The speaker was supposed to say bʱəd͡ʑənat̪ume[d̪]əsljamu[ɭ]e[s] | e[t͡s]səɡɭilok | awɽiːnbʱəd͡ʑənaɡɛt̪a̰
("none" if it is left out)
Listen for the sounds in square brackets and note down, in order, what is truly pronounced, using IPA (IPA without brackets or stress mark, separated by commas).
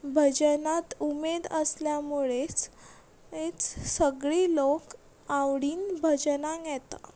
d̪, ɭ, t͡s, t͡s